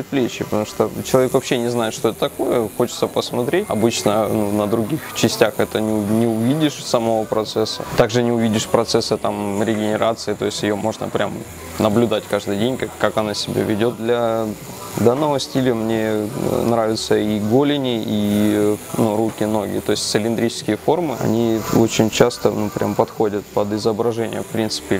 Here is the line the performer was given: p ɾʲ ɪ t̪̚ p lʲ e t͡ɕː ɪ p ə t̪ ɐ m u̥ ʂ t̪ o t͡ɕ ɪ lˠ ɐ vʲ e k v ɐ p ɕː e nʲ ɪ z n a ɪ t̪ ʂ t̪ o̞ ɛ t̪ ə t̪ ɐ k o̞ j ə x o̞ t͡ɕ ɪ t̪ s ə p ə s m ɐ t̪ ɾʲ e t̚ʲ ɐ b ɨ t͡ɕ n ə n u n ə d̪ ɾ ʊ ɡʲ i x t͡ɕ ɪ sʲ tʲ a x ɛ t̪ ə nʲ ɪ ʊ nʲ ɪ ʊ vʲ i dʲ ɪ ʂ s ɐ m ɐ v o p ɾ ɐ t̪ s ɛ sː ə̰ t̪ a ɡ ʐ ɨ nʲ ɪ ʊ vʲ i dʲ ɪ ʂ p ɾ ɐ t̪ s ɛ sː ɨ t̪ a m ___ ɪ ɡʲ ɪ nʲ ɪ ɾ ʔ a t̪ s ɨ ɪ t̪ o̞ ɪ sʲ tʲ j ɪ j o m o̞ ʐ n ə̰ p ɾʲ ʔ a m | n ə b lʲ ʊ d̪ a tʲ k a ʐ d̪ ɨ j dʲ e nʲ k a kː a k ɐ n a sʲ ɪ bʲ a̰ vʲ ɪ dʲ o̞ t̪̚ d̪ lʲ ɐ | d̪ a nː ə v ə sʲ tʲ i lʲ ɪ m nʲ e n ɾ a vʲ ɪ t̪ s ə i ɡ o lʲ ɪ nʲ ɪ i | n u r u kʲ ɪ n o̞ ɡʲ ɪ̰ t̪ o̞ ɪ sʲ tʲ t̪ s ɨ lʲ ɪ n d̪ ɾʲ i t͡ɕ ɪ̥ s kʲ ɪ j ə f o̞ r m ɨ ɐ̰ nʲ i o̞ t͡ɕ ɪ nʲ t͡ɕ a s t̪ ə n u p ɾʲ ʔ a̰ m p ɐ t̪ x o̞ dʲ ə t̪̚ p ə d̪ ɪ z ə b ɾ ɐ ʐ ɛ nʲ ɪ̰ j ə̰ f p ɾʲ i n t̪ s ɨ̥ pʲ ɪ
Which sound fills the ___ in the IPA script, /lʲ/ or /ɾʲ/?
ɾʲ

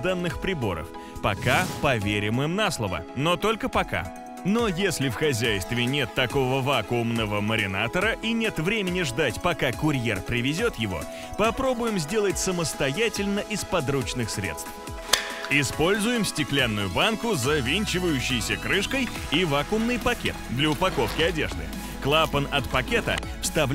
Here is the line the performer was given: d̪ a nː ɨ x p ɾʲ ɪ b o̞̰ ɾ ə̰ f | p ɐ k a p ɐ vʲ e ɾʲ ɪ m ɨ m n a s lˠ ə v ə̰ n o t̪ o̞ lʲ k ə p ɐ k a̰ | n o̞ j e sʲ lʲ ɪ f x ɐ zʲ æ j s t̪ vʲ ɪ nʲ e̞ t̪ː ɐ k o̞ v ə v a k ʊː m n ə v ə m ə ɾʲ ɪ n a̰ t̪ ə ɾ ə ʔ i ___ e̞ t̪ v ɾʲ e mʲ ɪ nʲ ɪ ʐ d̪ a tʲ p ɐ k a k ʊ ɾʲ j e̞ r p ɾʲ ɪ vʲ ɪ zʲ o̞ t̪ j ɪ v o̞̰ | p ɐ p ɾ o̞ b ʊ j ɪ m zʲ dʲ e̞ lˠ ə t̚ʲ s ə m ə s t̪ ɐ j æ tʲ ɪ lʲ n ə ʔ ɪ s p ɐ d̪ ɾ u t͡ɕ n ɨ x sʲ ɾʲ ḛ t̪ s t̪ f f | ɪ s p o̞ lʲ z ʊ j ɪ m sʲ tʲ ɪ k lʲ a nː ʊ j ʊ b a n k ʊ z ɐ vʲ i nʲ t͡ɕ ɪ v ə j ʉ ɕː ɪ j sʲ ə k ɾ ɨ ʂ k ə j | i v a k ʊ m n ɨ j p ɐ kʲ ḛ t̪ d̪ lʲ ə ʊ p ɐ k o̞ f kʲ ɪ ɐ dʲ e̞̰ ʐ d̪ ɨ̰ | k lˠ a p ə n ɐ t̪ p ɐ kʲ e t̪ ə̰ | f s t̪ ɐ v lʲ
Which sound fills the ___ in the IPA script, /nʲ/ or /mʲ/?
nʲ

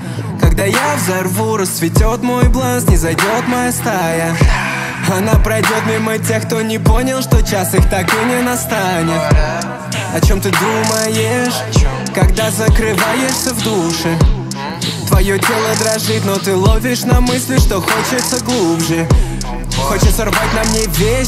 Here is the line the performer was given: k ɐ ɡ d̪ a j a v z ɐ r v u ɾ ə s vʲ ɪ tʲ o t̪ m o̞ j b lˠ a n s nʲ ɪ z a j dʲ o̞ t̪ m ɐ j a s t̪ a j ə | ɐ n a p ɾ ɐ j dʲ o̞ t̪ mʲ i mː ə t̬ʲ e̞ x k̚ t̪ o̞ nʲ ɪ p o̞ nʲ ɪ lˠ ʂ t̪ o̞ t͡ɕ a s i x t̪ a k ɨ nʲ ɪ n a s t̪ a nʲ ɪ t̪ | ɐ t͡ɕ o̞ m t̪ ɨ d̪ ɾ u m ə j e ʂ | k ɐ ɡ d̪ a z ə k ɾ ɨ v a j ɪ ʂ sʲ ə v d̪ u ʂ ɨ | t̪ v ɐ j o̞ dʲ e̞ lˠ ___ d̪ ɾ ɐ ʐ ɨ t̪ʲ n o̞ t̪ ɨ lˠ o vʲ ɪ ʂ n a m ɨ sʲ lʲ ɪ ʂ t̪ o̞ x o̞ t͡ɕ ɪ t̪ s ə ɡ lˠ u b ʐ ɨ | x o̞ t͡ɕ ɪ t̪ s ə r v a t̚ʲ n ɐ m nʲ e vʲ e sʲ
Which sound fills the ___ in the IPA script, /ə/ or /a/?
ə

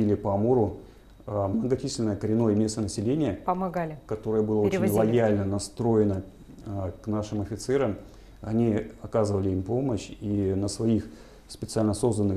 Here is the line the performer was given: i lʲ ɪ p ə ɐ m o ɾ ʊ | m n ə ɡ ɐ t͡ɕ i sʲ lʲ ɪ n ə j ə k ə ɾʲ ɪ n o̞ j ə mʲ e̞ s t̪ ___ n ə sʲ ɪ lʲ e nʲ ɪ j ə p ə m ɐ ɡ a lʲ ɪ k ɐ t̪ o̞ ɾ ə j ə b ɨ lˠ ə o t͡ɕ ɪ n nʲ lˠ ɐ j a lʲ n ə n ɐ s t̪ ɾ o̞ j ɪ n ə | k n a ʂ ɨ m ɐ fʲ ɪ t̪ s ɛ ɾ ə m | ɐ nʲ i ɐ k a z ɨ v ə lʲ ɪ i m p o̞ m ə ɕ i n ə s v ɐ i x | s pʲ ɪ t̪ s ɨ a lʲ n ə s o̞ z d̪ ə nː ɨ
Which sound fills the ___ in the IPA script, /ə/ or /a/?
ə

